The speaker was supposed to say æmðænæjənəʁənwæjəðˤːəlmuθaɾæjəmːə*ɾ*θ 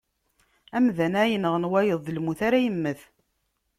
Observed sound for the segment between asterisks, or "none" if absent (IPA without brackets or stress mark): none